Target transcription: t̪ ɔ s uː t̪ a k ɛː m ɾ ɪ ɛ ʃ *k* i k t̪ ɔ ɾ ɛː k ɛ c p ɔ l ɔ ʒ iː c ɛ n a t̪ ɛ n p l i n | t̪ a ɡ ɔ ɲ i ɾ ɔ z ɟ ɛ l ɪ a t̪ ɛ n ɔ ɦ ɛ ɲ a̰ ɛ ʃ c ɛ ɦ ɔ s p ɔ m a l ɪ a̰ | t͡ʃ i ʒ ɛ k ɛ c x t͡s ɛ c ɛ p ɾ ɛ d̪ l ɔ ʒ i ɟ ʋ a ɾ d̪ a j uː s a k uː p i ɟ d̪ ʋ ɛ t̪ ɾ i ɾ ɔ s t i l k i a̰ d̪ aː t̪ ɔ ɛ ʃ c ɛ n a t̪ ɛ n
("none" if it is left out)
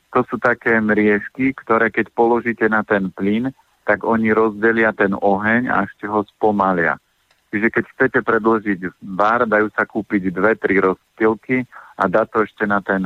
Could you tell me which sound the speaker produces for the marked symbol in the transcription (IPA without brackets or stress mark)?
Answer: k